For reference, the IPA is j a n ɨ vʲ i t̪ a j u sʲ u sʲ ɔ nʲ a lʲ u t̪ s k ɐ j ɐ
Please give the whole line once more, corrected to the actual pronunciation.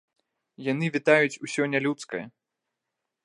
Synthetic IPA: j a n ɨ vʲ i t̪ a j u t͡sʲ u sʲ ɔ nʲ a lʲ u t̪ s k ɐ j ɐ

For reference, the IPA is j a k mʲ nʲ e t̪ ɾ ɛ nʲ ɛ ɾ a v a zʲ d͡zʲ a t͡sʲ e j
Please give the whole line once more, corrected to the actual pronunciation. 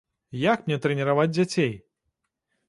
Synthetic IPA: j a k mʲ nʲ ɛ t̪ ɾ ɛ nʲ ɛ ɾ a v a d͡zʲ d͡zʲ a t͡sʲ e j

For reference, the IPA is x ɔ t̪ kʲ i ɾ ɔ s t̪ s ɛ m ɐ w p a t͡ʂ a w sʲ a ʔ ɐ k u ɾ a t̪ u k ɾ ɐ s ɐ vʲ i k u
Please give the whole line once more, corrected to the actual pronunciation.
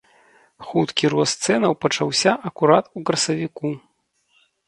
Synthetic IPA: x u t̪ kʲ i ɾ ɔ s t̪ s ɛ n ɐ w p ɐ t͡ʂ a w sʲ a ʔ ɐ k u ɾ a t̪ u k ɾ ɐ s ɐ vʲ i k u

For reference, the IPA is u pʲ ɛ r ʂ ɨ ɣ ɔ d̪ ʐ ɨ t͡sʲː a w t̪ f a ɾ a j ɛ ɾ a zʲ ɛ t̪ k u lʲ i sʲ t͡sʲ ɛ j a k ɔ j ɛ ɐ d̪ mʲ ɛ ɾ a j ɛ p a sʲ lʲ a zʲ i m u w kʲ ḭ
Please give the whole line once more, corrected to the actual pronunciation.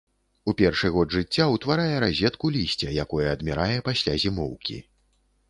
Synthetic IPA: u pʲ ɛ r ʂ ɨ ɣ ɔ d̪ ʐ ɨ t͡sʲː a w t̪ v a ɾ a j ɛ ɾ a zʲ ɛ t̪ k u lʲ i sʲ t͡sʲ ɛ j a k ɔ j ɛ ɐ d̪ mʲ ɛ ɾ a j ɛ p a sʲ lʲ a zʲ i m ɔ w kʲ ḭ

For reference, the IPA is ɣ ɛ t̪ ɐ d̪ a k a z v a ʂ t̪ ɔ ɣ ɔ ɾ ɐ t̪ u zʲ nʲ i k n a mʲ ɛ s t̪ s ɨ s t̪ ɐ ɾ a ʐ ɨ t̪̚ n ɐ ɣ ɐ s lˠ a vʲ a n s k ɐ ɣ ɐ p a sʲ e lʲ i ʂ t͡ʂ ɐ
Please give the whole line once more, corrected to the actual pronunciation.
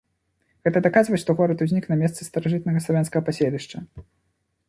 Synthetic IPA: ɣ ɛ t̪ ɐ d̪ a k a z v ɐ ʂ t̪ ɔ ɣ ɔ ɾ ɐ t̪ u zʲ nʲ i k n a mʲ ɛ s t̪ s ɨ s t̪ ɐ ɾ a ʐ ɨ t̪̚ n ɐ ɣ ɐ s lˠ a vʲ a n s k ɐ ɣ ɐ p a sʲ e lʲ i ʂ t͡ʂ ɐ

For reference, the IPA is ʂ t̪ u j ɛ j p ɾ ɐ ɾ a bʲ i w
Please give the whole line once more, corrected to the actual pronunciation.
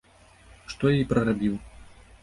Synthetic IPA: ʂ t̪ ɔ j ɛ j p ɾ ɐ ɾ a bʲ i w

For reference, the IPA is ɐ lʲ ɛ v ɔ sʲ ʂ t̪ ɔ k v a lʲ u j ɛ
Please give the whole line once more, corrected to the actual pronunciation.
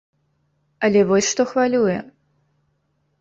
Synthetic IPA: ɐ lʲ ɛ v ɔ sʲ ʂ t̪ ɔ x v a lʲ u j ɛ

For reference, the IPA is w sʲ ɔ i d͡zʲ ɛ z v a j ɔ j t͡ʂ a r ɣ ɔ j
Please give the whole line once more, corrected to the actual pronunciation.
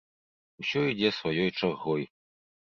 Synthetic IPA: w sʲ ɔ i d͡zʲ ɛ s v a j ɔ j t͡ʂ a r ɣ ɔ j

